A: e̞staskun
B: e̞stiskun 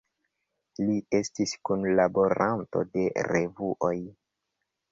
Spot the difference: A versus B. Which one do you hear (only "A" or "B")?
B